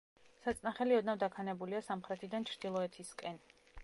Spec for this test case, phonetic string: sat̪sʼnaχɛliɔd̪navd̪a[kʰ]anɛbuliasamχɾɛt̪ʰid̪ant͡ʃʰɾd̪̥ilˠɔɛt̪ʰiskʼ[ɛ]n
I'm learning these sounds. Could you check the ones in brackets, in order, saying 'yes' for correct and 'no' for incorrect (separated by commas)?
yes, yes